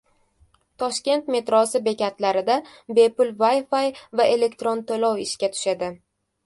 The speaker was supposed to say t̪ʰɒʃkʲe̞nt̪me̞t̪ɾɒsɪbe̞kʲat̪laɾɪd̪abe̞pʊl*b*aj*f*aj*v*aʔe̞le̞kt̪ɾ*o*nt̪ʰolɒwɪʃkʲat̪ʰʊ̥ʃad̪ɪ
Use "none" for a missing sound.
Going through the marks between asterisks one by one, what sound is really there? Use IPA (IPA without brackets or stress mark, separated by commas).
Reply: v, f, v, o